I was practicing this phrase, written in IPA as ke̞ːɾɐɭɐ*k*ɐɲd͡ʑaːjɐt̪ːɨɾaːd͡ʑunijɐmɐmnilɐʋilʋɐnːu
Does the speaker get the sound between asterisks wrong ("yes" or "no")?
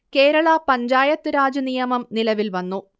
yes